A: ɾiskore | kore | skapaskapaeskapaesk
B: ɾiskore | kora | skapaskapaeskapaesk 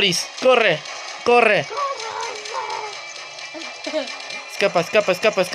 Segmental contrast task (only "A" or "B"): A